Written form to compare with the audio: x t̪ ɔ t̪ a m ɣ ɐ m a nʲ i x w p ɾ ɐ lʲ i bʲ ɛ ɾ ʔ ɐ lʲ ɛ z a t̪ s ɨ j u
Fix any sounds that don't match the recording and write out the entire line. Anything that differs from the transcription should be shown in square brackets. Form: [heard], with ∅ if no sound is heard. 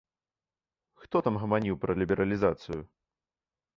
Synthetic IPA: x t̪ ɔ t̪ a m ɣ ɐ m a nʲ i [∅] w p ɾ ɐ lʲ i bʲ ɛ ɾ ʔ ɐ lʲ [i] z a t̪ s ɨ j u